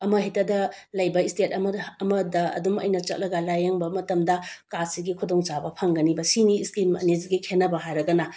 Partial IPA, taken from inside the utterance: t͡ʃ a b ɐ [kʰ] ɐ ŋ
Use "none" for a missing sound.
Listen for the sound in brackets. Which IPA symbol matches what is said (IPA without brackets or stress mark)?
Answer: pʰ